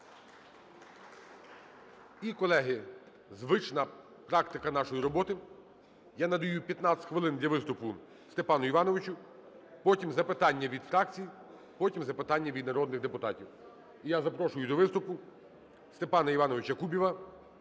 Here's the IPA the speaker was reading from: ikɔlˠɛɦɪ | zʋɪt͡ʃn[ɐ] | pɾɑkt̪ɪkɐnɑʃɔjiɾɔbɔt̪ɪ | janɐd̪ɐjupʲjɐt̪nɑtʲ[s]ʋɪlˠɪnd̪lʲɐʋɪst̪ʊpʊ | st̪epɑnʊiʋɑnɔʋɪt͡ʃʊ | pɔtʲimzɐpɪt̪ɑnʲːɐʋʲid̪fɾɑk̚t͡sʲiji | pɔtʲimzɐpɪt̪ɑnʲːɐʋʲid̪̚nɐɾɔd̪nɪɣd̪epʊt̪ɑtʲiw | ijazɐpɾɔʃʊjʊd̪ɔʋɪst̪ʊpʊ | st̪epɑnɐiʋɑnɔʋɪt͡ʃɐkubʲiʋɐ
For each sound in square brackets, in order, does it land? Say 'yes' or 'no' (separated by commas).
yes, no